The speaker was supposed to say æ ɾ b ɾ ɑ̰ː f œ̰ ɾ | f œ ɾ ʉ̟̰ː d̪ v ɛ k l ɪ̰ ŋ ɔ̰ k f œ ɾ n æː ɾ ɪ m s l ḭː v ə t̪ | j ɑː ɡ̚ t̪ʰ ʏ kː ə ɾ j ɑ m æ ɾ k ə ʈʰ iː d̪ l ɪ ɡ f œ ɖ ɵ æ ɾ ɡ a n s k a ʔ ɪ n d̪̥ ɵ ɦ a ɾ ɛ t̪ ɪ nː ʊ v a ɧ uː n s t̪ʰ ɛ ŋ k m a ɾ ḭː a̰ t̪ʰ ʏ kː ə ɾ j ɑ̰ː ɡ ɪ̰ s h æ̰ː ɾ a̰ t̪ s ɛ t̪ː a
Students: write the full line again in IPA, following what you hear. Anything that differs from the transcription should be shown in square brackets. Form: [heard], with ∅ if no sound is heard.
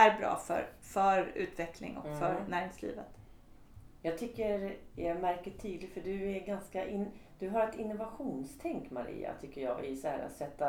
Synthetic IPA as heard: æ ɾ b ɾ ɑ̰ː f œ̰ ɾ | f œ ɾ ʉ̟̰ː [t̪] v ɛ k l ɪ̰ ŋ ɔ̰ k f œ ɾ n æː ɾ ɪ [ŋ] s l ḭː v ə t̪ | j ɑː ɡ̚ t̪ʰ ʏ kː ə ɾ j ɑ m æ ɾ k ə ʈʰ iː d̪ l ɪ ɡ f œ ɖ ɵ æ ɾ ɡ a n s k a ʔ ɪ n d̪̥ ɵ ɦ a ɾ ɛ t̪ ɪ nː ʊ v a ɧ uː n s t̪ʰ ɛ ŋ k m a ɾ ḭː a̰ t̪ʰ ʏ kː ə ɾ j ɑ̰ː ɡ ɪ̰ s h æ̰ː ɾ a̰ t̪ s ɛ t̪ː a